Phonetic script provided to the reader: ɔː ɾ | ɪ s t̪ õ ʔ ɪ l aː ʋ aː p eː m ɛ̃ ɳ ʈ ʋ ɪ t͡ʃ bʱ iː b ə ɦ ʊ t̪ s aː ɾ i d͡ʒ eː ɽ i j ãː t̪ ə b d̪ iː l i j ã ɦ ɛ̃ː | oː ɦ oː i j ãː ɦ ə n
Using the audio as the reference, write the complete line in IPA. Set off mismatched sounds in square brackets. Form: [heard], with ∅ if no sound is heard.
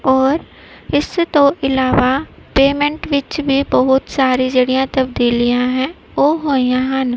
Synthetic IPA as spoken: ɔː ɾ | ɪ s t̪ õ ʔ ɪ l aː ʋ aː p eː m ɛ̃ ɳ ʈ ʋ ɪ t͡ʃ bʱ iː b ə ɦ ʊ t̪ s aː ɾ i d͡ʒ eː ɽ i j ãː t̪ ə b d̪ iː l i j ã ɦ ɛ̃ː | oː ɦ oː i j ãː ɦ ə n